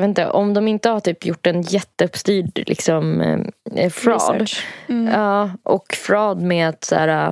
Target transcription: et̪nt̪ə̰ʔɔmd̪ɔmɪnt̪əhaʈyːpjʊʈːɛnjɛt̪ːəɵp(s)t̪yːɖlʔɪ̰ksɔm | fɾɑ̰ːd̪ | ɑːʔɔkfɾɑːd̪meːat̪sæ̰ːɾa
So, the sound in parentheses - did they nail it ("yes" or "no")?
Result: yes